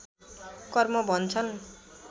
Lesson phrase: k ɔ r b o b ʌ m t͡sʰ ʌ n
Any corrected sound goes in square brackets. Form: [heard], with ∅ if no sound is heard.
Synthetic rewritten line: k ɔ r [m] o b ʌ [n] t͡sʰ ʌ n